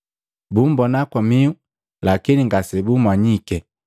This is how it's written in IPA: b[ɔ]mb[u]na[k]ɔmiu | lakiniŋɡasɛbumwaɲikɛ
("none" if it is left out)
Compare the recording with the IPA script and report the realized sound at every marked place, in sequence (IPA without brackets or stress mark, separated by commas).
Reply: u, ɔ, k